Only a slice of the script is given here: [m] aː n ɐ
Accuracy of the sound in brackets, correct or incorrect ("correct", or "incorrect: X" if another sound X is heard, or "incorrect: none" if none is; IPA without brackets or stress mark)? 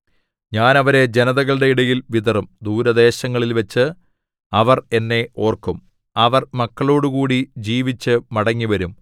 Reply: incorrect: ɲ